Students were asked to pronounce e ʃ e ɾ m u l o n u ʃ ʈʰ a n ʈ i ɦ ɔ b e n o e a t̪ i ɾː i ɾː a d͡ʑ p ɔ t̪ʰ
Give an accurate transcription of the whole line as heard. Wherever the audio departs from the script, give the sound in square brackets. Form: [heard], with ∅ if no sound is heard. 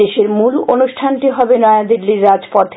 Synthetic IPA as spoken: e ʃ e ɾ m u l o n u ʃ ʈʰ a n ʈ i ɦ ɔ b e n [ɔ] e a [d̪] i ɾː i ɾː a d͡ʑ p ɔ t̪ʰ